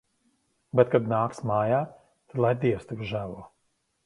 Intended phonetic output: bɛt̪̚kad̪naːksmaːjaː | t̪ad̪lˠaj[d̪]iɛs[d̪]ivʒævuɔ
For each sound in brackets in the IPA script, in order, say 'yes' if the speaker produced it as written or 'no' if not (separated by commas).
yes, no